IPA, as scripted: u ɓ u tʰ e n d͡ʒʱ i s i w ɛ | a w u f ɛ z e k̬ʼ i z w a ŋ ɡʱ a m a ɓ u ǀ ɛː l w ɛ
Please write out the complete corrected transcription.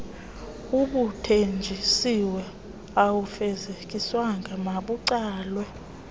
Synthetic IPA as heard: u ɓ u tʰ e n d͡ʒʱ i s i w ɛ | a w u f ɛ z e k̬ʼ i s w a ŋ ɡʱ a m a ɓ u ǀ aː l w ɛ